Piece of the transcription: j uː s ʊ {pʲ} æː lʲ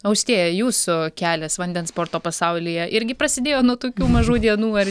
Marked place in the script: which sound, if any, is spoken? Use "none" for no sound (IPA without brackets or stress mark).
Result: kʲ